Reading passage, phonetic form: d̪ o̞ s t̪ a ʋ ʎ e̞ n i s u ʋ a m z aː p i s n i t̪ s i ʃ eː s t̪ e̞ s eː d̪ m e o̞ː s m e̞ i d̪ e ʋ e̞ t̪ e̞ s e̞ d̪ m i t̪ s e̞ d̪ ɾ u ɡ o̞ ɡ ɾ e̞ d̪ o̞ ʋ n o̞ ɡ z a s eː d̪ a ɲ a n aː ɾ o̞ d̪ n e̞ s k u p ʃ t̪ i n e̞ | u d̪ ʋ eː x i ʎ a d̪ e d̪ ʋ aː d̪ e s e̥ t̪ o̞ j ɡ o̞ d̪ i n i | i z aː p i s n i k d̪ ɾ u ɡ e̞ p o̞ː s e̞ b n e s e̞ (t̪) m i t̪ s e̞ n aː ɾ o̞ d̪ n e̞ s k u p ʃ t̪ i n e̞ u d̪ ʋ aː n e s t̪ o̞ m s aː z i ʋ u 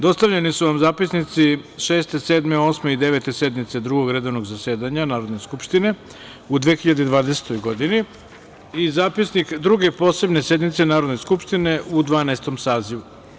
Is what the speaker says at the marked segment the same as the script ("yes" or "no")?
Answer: no